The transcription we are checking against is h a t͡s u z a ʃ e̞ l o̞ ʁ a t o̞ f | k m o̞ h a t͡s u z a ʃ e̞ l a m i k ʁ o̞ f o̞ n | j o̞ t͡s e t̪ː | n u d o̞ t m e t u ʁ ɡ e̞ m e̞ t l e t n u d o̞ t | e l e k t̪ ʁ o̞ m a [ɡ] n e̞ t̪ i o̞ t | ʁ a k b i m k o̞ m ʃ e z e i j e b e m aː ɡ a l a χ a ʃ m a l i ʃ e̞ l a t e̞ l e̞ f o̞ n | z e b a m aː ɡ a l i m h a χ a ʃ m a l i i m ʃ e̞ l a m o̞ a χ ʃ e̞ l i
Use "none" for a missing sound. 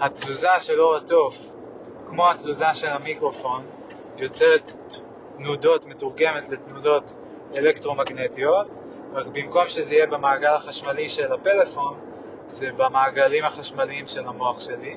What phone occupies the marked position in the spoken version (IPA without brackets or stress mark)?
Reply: ɡ